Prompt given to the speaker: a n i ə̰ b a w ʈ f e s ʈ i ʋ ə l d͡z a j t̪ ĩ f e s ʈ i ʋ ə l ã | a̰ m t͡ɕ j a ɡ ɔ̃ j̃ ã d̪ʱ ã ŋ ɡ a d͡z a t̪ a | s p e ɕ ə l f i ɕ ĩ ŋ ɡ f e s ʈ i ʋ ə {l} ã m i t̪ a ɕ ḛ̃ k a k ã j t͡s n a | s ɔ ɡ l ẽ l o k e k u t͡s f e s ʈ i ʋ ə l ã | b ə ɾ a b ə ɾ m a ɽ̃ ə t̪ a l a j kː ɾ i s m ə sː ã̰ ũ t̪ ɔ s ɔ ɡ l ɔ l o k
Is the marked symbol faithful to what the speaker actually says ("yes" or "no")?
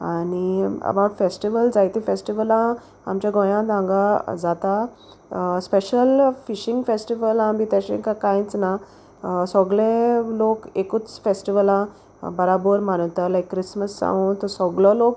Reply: yes